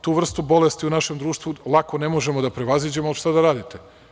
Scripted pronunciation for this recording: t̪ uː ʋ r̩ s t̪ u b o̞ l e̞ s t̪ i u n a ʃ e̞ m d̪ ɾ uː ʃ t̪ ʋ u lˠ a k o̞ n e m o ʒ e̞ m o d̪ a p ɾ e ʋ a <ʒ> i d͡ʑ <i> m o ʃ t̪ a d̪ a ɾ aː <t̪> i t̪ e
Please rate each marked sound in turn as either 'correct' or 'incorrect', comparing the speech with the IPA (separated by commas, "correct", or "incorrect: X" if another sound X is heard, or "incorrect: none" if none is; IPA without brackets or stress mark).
incorrect: z, incorrect: e, incorrect: d̪